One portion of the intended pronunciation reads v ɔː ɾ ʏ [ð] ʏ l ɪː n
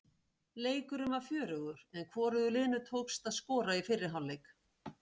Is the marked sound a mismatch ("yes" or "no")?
no